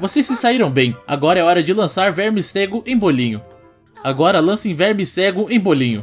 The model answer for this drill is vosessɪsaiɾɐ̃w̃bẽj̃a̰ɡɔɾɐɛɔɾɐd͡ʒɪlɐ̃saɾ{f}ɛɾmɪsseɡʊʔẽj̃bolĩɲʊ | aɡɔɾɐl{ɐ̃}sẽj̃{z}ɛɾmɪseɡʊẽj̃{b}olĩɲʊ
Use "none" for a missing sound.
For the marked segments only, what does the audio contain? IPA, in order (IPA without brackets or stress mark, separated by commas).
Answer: v, ɐ̃, v, b